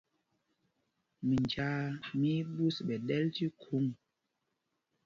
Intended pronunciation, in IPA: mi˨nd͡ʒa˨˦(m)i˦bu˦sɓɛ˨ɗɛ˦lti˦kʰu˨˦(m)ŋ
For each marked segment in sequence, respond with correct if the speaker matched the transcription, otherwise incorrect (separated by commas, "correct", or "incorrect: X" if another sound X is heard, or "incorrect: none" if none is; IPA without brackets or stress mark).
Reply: correct, incorrect: none